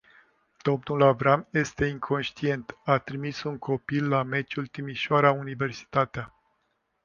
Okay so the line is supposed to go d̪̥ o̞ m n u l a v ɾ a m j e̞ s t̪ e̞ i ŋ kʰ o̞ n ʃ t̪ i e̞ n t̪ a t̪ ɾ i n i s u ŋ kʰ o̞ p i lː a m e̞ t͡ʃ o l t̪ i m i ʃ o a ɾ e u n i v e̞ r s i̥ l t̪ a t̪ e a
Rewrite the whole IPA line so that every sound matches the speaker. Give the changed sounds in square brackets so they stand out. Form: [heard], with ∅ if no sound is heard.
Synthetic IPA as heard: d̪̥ o̞ m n u l a v ɾ a m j e̞ s t̪ e̞ i ŋ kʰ o̞ n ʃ t̪ i e̞ n t̪ a t̪ ɾ i [m] i s u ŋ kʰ o̞ p i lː a m e̞ t͡ʃ [u] l t̪ i m i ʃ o a ɾ [a] u n i v e̞ r s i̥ [∅] t̪ a t̪ e a